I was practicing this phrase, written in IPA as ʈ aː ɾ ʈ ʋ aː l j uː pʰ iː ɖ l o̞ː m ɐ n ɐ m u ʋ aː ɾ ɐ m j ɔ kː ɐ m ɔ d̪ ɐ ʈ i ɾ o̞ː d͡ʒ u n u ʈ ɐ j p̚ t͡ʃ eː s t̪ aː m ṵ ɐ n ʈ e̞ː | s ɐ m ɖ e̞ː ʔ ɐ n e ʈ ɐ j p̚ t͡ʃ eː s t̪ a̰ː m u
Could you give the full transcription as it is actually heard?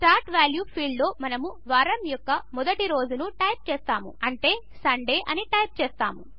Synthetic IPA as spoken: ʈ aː ɾ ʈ ʋ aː l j uː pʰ iː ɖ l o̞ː m ɐ n ɐ m u ʋ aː ɾ ɐ m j ɔ kː ɐ m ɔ d̪ ɐ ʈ i ɾ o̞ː d͡ʒ u n u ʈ ɐ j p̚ t͡ʃ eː s t̪ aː m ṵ ɐ ɳ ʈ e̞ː | s ɐ ɳ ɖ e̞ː ʔ ɐ n i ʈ ɐ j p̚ t͡ʃ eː s t̪ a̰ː m u